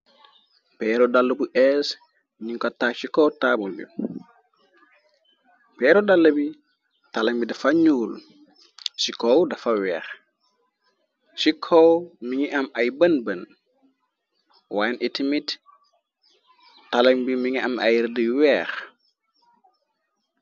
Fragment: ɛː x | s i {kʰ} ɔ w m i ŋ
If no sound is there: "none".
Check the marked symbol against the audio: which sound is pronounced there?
kʰ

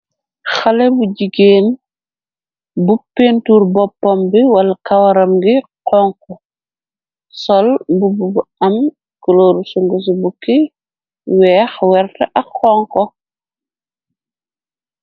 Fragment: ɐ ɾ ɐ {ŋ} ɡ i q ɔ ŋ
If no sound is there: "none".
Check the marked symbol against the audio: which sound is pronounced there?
m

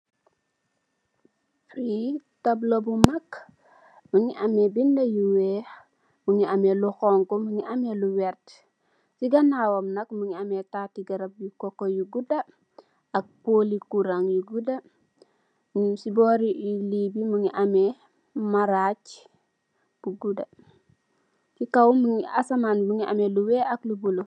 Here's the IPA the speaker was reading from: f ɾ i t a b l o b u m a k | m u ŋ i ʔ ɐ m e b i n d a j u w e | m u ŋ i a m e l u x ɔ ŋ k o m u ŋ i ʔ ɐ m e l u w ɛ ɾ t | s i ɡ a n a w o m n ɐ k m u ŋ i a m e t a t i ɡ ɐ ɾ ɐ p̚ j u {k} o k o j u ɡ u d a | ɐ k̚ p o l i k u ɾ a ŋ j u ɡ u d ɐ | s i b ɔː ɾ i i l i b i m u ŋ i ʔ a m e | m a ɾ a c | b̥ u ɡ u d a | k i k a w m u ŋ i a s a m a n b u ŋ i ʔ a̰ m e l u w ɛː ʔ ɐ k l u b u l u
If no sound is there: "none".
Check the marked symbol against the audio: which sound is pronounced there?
k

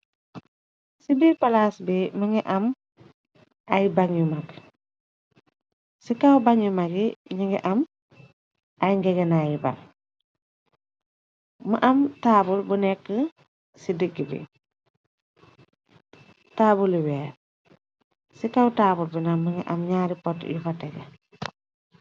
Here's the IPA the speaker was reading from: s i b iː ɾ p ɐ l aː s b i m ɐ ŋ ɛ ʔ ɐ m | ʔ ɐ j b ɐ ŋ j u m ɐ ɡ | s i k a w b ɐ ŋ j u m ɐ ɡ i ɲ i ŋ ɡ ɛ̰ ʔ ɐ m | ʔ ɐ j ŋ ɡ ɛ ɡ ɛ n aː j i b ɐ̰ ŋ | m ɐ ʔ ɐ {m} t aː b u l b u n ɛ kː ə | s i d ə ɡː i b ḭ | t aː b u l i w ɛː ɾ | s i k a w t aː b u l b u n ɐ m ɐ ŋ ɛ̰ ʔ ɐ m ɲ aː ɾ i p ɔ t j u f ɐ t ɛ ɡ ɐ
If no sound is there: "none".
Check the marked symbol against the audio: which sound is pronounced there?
m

